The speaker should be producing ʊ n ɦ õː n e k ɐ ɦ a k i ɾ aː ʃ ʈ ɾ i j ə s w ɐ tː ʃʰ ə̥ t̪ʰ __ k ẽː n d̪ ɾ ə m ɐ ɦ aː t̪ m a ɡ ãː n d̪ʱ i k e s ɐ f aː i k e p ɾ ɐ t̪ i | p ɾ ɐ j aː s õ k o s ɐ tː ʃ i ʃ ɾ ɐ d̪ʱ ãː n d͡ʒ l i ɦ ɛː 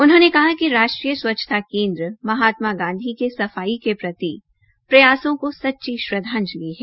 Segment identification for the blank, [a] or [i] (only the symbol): a